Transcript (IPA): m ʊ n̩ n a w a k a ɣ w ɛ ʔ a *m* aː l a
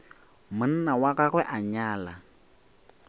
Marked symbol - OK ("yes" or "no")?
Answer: no